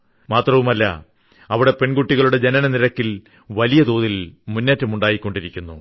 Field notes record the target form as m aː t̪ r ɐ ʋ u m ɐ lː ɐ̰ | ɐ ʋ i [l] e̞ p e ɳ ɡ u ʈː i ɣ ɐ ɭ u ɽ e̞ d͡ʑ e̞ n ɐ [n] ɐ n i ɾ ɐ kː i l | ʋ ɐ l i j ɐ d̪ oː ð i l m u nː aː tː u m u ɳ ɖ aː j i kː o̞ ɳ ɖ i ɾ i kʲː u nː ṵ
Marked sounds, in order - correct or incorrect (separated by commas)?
incorrect, correct